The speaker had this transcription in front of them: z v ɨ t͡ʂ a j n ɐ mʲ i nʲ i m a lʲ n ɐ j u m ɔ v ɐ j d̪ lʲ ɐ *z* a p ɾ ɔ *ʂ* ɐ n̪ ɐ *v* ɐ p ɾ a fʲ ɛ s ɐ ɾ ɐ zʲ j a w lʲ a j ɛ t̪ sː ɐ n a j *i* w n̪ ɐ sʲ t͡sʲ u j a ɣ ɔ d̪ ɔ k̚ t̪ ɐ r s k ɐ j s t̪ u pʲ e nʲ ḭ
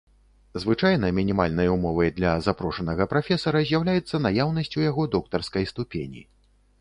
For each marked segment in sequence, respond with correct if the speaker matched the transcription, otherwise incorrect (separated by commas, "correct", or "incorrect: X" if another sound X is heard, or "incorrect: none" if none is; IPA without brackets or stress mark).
correct, correct, incorrect: ɣ, incorrect: a